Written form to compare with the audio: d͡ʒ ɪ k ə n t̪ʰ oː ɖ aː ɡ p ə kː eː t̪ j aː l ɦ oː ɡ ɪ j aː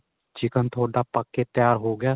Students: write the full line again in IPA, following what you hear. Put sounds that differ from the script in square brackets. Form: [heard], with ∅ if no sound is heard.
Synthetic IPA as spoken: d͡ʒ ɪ k ə n t̪ʰ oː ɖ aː [∅] p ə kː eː t̪ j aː [ɾ] ɦ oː ɡ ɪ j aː